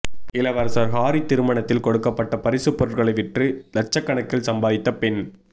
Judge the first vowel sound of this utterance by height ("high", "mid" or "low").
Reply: high